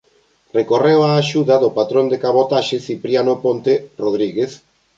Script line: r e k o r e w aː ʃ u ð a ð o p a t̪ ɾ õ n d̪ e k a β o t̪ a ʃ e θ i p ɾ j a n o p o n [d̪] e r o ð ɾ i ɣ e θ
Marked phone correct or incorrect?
incorrect